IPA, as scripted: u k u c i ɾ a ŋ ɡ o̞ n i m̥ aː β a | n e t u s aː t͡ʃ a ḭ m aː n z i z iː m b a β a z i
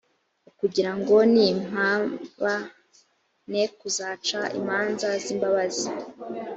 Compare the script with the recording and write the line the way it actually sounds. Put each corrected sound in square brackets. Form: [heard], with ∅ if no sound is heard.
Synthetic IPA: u k u [ɟ] i ɾ a ŋ ɡ o̞ n i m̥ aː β a | n e [k] u [z] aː t͡ʃ a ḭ m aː n z [a] z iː m b a β a z i